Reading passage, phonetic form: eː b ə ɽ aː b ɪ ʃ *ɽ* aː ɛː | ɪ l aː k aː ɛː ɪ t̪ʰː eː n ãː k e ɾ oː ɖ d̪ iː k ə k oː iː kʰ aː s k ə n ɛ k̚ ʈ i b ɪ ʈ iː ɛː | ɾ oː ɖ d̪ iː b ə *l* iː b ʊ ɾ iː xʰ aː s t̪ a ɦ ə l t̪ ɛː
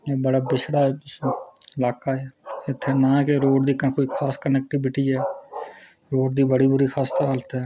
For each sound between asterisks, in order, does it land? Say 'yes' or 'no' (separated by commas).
yes, no